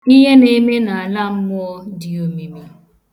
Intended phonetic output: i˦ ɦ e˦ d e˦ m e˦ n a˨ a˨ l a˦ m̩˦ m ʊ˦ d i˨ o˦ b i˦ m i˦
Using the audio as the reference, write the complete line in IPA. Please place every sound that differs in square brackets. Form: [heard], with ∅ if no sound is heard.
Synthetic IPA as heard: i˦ ɦ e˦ [n] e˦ m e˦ n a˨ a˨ l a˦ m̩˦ m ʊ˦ d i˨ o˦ [m] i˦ m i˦